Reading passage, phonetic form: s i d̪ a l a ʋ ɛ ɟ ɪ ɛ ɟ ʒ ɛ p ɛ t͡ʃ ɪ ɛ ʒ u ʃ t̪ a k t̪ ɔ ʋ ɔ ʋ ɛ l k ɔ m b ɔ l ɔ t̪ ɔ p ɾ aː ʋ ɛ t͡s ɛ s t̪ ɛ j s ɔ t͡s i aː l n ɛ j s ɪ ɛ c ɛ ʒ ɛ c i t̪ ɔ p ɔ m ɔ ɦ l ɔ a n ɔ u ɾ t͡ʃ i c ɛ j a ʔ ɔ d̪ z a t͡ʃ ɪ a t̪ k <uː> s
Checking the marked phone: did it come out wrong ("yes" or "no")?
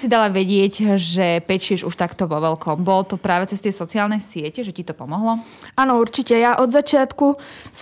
yes